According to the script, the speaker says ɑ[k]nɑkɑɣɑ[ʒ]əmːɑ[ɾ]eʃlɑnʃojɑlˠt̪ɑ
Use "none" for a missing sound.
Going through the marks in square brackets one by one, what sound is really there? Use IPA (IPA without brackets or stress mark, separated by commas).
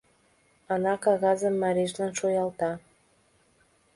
none, z, ɾ